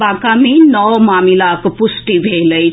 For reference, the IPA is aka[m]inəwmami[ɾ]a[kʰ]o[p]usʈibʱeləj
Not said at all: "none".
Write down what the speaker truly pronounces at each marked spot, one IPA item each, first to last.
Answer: m, l, k, p

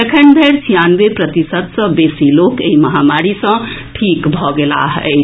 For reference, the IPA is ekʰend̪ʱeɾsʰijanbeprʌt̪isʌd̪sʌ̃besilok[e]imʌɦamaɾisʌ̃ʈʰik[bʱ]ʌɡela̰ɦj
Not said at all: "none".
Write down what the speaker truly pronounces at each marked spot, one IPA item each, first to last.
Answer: e, bʱ

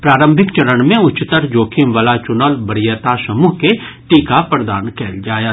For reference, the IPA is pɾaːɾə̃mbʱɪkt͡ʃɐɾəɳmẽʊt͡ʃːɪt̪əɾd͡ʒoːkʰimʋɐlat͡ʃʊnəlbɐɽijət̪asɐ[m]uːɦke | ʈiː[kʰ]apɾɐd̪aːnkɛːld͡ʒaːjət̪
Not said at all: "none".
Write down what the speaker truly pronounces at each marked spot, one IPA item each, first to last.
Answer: m, k

